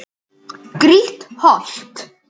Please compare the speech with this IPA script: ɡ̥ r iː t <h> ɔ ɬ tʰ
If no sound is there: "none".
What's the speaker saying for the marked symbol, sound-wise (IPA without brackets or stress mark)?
h